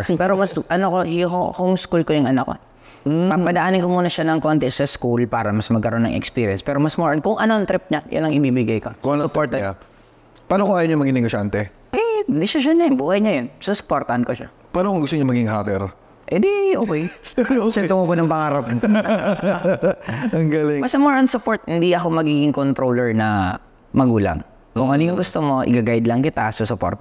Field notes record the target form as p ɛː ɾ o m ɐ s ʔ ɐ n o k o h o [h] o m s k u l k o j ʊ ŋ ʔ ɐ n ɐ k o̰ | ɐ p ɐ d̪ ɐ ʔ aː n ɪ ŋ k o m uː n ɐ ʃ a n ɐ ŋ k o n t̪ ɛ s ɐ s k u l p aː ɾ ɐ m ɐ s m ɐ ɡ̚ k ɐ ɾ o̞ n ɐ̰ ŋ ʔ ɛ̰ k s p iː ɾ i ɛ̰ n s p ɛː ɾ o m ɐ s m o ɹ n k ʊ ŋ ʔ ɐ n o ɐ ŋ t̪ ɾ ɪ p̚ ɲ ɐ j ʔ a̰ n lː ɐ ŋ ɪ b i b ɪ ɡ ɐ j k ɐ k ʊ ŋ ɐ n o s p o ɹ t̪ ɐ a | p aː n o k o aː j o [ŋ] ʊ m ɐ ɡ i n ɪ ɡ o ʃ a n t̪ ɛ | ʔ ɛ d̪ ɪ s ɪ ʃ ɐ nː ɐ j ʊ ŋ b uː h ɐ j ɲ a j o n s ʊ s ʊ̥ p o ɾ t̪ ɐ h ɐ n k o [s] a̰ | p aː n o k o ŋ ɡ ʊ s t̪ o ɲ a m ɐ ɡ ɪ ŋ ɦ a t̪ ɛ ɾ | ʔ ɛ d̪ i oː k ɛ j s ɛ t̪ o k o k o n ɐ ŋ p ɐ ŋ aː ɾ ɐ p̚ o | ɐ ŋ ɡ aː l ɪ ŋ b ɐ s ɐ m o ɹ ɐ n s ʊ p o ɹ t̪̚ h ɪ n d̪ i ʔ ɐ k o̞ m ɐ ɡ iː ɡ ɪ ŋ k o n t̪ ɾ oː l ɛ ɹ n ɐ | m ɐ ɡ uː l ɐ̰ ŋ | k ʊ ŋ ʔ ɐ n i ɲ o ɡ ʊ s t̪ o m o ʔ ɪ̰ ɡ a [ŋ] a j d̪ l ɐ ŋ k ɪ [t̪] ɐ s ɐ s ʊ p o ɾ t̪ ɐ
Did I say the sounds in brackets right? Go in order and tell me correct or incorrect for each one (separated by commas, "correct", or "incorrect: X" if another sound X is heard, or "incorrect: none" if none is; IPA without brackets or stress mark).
correct, incorrect: ɲ, incorrect: ʃ, incorrect: ɡ, correct